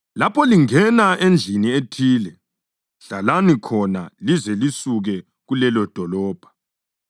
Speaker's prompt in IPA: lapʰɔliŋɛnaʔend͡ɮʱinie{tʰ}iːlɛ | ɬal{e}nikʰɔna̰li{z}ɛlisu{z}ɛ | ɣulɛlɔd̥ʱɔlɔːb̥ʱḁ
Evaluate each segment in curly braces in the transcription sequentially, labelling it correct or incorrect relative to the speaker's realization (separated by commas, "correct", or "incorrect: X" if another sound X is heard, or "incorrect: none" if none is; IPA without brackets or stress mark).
correct, incorrect: a, correct, incorrect: ɣ